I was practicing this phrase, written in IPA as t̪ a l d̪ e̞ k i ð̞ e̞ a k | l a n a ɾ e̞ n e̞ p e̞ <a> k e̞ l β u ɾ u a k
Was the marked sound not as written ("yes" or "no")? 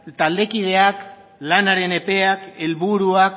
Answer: no